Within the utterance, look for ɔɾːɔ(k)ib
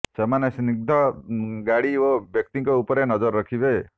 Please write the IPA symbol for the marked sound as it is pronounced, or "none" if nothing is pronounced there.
kʰ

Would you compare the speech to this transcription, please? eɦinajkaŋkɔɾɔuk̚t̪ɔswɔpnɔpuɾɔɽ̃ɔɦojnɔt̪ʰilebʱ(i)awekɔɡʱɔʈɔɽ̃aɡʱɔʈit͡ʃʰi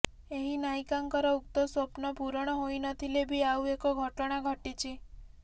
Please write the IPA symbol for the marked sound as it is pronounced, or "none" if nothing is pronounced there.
i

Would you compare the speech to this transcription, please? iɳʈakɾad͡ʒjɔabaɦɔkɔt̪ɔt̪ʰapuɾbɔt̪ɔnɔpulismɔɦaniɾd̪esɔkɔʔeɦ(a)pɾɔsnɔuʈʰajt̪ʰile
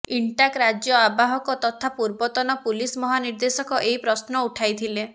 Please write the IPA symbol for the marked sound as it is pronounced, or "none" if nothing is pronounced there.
i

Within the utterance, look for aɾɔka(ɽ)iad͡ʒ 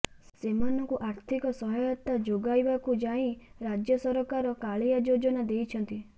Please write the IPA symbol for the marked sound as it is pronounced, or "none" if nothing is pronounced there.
ɭ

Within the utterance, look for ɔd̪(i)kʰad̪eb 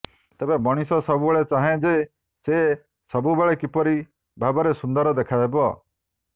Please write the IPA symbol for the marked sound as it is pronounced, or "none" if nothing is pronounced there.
e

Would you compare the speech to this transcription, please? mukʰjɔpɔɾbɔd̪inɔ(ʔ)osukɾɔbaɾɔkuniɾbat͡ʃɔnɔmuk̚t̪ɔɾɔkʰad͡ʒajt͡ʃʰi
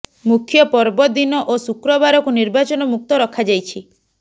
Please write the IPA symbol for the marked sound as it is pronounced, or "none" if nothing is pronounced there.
ʔ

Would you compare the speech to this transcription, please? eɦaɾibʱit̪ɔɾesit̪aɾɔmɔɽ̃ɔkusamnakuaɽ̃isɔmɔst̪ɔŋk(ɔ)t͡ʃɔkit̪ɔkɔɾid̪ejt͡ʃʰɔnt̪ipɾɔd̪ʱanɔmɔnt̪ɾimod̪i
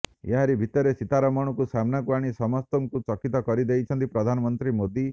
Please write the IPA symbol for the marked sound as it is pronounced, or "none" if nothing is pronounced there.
u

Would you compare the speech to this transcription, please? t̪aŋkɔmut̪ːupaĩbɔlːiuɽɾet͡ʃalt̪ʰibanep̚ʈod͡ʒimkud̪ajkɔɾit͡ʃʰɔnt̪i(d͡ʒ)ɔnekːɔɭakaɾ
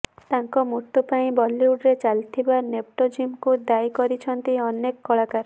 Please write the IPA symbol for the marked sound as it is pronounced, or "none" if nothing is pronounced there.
none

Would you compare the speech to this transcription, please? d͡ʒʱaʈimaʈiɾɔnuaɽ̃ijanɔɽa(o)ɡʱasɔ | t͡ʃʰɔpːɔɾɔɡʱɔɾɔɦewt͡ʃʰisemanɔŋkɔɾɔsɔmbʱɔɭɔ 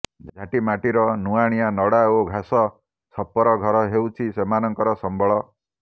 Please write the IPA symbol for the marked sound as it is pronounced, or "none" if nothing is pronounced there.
o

